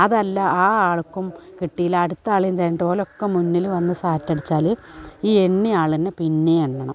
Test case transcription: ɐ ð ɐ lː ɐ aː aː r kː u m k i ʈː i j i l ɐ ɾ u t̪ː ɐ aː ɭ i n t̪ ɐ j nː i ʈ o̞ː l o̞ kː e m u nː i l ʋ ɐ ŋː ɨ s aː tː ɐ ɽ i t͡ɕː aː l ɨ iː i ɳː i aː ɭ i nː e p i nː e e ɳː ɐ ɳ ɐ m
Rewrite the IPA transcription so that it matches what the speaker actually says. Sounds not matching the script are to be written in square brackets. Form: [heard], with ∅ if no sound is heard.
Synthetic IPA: ɐ ð ɐ lː ɐ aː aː [ɭ] kː u m k i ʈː i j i l ɐ [ɽ] u t̪ː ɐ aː ɭ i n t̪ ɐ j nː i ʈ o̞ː l o̞ kː e m u nː i l ʋ ɐ [nː] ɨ s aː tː ɐ ɽ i t͡ɕː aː l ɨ iː [e] ɳː i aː ɭ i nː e p i nː e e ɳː ɐ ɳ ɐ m